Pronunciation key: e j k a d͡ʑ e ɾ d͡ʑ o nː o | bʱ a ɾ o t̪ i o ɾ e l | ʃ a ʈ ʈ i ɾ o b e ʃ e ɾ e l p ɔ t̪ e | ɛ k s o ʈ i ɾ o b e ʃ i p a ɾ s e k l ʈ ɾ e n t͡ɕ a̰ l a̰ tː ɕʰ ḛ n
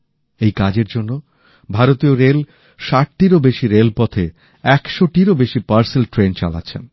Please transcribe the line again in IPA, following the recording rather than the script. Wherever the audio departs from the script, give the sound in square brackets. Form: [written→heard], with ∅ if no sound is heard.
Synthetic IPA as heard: e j k a d͡ʑ e ɾ d͡ʑ o nː o | bʱ a ɾ o t̪ i o ɾ e l | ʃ a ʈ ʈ i ɾ o b e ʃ [e→i] ɾ e l p ɔ [t̪→t̪ʰ] e | ɛ k [s→ʃ] o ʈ i ɾ o b e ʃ i p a ɾ s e [k→∅] l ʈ ɾ e n t͡ɕ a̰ l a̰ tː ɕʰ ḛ n